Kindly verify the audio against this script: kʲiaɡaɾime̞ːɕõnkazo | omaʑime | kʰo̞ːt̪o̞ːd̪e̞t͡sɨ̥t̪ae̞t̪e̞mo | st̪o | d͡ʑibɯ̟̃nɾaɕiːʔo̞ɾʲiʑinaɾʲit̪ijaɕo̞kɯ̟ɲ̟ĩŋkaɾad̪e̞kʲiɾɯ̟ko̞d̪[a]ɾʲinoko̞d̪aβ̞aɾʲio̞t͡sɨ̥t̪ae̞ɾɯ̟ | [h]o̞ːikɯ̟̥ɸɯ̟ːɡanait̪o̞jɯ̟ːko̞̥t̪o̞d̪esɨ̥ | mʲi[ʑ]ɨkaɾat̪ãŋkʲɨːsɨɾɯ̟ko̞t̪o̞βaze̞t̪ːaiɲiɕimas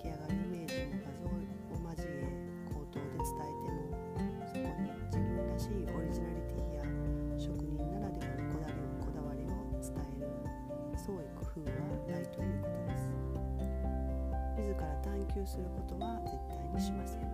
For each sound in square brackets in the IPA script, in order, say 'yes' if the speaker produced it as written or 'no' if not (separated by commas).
yes, no, no